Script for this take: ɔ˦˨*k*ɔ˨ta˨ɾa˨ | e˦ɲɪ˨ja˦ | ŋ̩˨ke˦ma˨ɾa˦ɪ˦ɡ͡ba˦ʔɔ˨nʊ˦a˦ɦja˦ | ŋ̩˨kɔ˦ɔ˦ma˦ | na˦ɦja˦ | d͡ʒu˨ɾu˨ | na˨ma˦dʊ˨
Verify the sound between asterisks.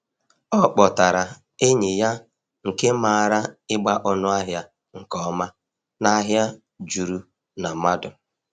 incorrect: k͡p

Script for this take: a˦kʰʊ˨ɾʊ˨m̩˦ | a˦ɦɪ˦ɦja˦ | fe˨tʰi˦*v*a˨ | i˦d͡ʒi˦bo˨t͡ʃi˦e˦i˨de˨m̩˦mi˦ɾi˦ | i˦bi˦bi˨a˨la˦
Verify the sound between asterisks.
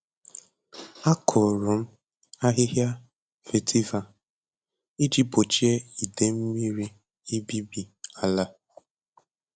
correct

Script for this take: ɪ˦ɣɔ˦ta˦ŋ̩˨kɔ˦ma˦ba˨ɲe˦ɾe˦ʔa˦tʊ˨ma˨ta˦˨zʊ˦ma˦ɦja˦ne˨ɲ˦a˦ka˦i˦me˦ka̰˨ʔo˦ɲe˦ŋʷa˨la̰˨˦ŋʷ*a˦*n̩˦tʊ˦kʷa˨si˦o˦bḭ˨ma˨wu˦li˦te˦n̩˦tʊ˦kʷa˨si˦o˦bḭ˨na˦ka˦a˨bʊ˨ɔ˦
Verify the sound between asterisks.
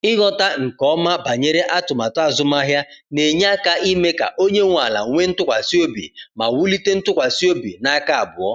incorrect: e˦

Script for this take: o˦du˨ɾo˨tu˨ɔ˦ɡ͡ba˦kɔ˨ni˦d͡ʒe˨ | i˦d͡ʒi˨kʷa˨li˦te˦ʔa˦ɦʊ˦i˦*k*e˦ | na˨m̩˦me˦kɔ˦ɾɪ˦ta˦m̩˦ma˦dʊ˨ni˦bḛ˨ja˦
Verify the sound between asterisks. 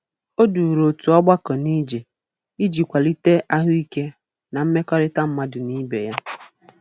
correct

